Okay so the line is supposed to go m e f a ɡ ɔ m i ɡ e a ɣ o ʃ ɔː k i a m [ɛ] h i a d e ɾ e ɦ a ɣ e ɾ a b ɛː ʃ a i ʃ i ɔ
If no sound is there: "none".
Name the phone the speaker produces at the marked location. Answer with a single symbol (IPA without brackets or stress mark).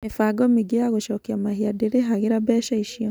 a